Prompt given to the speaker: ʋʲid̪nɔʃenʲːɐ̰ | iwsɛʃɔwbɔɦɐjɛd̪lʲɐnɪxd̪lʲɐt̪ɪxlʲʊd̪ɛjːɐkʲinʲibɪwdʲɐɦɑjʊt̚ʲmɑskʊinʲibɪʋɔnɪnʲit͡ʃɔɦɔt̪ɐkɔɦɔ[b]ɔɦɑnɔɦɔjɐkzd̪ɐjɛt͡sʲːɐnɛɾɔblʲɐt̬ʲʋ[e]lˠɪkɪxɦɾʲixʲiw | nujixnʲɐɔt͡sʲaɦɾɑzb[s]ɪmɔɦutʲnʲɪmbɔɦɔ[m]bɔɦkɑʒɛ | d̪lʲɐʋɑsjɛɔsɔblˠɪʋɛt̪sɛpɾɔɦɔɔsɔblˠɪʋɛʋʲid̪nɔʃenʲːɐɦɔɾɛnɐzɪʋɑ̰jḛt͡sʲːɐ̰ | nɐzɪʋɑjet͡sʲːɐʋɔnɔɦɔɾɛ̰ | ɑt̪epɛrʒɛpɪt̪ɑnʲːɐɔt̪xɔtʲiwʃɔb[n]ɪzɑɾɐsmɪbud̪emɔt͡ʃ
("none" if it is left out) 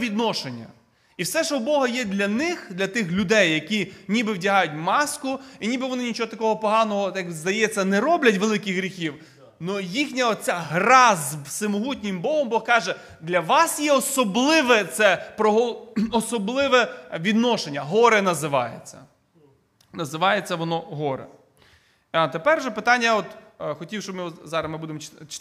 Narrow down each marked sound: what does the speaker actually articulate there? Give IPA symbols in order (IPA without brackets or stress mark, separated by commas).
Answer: p, e, s, m, m